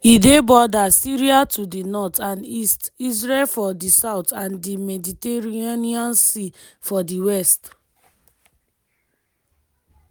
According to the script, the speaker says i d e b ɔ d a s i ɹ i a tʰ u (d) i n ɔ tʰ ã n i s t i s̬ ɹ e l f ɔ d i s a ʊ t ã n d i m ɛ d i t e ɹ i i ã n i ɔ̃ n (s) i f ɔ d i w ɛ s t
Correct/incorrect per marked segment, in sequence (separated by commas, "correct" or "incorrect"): correct, correct